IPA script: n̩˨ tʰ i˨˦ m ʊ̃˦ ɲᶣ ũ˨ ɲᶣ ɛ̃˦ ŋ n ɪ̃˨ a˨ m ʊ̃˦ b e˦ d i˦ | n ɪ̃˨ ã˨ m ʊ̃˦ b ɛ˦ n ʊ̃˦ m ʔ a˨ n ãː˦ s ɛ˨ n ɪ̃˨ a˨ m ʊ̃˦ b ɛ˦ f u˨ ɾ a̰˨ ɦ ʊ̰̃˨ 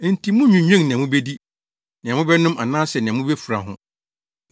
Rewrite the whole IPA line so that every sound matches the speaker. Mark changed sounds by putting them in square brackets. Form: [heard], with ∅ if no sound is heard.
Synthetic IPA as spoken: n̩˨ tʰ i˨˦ m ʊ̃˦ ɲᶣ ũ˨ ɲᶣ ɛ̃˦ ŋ n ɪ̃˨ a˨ m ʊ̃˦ b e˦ d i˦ | n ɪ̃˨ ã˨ m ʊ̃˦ b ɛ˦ n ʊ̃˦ m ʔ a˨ n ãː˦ s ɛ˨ n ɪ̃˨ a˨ m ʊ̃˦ b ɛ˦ f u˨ ɾ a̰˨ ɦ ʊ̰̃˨